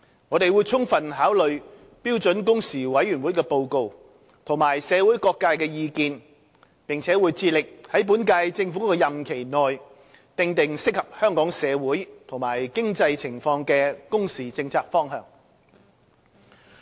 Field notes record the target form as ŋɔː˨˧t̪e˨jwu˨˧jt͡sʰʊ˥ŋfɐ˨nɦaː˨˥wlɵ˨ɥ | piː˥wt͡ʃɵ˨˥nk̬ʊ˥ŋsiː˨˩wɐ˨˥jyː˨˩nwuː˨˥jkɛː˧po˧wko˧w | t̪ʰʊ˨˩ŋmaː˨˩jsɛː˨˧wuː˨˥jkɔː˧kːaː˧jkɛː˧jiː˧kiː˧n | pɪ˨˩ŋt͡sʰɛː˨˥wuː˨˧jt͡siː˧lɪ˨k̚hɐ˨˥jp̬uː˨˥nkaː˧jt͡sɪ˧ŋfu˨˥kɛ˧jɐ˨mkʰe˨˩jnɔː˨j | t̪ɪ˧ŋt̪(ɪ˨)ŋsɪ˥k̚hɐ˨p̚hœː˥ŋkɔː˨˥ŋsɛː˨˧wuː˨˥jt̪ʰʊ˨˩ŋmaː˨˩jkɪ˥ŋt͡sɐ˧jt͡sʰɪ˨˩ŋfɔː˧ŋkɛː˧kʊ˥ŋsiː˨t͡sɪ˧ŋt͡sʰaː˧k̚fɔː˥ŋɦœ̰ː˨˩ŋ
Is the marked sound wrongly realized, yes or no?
no